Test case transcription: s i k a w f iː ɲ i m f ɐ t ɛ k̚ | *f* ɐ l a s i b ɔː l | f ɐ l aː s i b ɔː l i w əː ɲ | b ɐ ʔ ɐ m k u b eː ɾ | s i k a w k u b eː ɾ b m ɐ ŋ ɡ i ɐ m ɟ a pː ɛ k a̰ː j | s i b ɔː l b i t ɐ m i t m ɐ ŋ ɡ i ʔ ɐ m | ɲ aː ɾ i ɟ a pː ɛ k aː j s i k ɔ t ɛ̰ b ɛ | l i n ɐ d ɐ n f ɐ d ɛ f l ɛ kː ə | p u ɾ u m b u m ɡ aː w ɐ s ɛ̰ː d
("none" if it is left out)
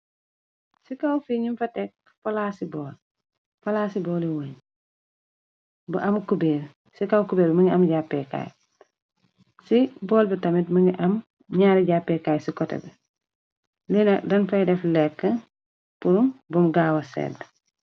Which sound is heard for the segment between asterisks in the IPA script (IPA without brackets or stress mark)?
f